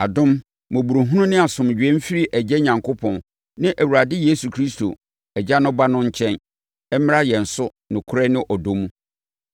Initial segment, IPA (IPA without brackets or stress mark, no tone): a